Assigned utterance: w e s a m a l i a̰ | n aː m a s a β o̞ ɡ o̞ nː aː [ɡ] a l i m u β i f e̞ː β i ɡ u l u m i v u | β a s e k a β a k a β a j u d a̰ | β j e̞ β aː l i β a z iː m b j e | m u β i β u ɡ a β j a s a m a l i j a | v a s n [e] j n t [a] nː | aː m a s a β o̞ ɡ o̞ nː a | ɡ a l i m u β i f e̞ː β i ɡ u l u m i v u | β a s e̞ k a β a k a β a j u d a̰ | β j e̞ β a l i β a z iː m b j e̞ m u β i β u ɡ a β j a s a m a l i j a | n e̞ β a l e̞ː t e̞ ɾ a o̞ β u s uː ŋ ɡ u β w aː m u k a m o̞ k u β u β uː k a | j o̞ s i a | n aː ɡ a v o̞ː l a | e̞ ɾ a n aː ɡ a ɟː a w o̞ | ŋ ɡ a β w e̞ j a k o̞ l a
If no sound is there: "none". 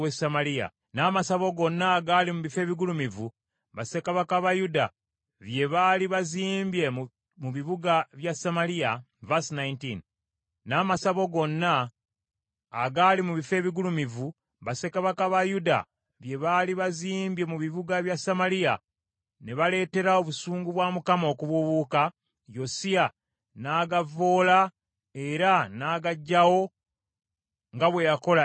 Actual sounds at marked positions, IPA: ɡ, a, i

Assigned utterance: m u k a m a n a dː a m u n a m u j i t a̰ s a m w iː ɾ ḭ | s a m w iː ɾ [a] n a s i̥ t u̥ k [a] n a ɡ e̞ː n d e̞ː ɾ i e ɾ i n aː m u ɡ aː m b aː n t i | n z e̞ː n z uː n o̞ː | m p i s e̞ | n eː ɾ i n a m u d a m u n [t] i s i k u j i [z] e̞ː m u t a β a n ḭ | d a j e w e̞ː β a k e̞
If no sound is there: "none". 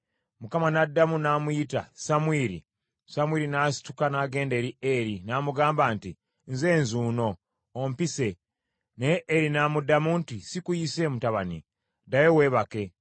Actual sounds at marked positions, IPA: i, a, t, s

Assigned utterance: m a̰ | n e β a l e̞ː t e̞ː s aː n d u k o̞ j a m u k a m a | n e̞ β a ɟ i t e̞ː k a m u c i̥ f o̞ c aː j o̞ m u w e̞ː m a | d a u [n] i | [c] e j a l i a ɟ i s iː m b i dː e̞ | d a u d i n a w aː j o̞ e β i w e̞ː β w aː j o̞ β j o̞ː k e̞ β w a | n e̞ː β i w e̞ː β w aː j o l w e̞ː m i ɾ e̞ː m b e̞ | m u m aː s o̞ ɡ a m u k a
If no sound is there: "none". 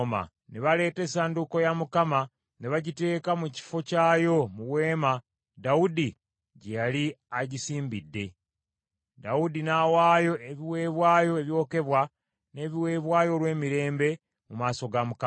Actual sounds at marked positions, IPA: d, ɟ

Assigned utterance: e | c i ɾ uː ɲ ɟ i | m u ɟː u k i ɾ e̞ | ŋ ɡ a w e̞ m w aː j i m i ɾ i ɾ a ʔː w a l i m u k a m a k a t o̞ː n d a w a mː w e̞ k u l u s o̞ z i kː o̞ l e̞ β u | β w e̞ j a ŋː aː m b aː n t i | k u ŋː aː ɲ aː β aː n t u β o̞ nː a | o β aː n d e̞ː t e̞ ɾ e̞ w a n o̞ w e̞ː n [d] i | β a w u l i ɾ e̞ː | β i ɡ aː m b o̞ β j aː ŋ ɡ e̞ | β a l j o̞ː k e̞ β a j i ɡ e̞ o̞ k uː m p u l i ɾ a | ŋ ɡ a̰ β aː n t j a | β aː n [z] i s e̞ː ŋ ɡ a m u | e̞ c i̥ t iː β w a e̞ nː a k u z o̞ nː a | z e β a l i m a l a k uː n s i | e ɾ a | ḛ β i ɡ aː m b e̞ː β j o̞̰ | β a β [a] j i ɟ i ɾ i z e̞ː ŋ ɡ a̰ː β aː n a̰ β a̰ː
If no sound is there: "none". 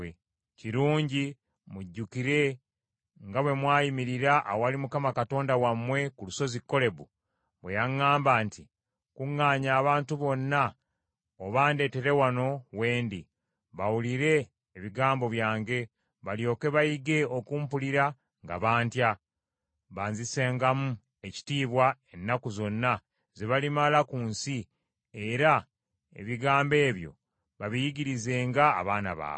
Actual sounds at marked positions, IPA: d, z, i

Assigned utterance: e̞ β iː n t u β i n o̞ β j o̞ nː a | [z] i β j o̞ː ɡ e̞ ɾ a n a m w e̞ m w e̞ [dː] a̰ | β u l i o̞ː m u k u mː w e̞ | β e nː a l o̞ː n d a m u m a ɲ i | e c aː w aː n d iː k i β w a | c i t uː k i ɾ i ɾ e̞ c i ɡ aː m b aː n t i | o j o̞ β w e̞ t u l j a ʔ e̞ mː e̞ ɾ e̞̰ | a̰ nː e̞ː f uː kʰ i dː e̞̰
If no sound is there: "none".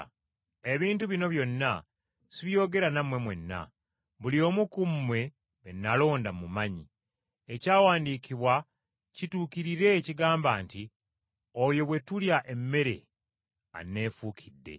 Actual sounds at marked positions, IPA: s, nː

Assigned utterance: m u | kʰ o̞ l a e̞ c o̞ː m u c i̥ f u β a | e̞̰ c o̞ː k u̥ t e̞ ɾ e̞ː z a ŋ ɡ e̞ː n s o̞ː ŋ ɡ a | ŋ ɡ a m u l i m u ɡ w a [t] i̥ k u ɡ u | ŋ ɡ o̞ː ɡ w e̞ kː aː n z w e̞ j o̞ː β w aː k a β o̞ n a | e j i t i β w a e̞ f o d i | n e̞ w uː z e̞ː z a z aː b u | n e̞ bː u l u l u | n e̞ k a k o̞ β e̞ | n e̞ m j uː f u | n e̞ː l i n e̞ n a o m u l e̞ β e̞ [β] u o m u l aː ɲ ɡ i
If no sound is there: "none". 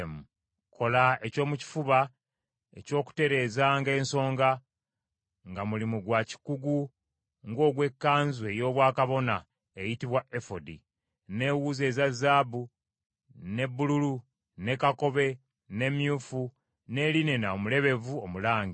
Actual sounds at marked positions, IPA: c, v

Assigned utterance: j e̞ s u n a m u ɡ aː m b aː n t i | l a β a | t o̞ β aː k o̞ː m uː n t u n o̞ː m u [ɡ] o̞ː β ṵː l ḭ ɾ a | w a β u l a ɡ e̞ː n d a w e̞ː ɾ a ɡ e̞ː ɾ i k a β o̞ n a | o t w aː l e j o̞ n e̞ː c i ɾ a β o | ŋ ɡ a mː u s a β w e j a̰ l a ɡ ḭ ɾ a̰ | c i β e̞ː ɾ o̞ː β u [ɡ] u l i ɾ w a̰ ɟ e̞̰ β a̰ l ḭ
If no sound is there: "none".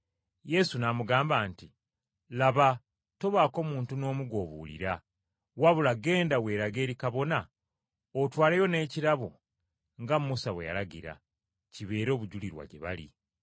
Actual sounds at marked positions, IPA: ɡ, ɟ

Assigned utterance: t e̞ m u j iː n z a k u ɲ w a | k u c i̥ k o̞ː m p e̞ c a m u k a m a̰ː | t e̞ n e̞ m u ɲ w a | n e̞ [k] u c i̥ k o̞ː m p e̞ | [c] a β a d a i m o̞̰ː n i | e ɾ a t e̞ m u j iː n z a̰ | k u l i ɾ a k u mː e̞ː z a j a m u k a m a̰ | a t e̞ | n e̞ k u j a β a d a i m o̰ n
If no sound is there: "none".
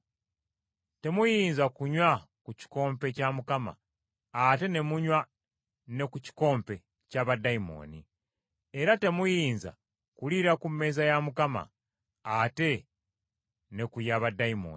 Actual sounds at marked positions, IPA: k, c

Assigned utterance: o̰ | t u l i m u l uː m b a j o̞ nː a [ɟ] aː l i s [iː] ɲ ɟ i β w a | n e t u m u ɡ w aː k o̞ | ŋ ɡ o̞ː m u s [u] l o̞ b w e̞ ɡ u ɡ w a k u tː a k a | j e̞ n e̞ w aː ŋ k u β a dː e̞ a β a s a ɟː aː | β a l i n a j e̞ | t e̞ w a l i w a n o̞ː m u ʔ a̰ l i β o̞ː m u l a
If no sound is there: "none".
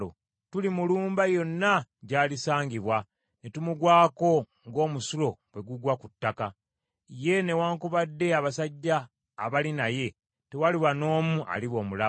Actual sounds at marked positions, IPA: ɟ, aː, u

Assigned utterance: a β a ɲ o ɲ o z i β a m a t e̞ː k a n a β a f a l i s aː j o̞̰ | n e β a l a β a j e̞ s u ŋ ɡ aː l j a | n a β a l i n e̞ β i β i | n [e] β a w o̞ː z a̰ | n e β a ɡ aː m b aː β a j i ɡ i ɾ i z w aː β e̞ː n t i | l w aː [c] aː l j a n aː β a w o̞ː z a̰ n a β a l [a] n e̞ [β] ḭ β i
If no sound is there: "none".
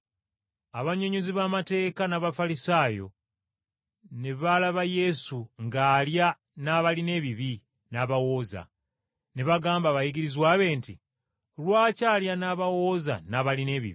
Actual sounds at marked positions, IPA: a, c, i, β

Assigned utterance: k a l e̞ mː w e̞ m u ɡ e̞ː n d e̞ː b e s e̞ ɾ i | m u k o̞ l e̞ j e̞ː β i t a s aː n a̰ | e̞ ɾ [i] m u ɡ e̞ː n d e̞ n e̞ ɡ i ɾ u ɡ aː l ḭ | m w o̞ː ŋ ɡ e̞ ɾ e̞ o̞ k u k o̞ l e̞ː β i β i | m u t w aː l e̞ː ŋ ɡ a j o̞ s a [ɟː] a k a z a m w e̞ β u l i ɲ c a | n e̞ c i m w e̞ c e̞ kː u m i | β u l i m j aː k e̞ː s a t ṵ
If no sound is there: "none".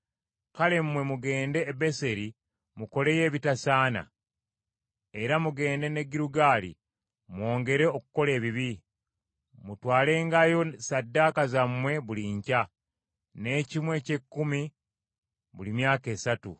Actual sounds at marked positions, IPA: a, dː

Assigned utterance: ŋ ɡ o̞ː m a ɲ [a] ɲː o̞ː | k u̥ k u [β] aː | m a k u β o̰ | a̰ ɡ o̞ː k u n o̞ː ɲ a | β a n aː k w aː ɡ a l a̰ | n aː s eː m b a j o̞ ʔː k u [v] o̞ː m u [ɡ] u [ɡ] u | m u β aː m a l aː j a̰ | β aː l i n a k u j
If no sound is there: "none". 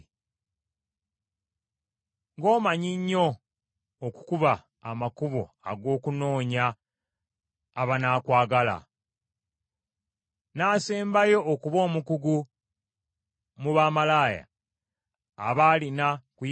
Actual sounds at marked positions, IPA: i, β, β, k, ɡ

